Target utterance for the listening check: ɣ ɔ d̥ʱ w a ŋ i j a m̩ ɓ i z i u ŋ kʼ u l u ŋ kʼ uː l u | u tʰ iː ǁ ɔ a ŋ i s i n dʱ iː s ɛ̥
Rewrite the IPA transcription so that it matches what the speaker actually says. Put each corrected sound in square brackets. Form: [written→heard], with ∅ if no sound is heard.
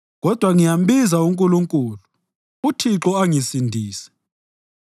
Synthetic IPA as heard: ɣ ɔ d̥ʱ w a ŋ i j a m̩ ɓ i z [i→a] u ŋ kʼ u l u ŋ kʼ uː l u | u tʰ [iː→i] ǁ ɔ a ŋ i s i n dʱ iː s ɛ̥